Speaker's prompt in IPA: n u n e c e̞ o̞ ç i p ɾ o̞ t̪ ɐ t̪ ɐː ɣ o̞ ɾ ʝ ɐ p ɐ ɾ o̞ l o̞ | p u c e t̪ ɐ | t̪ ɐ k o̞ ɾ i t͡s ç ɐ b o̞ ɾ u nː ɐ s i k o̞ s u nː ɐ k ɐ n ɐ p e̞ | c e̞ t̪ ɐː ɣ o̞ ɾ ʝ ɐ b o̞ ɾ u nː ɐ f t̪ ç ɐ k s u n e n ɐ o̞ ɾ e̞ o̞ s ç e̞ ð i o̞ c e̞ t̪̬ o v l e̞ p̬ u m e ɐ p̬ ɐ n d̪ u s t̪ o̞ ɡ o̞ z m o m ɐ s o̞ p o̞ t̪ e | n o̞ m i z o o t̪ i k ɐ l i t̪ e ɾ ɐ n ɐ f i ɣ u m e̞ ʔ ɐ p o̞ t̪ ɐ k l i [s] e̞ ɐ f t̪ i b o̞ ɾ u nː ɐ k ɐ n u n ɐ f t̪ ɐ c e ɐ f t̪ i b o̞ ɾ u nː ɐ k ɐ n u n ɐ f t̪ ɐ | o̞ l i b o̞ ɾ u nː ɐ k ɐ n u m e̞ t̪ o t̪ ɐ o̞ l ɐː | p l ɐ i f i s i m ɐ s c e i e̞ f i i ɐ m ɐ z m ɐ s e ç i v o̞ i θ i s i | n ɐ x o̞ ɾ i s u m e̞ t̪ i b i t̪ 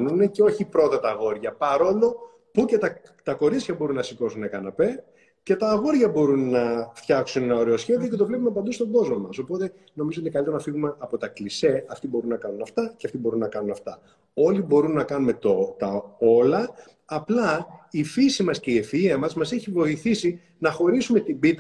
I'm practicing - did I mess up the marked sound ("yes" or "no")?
no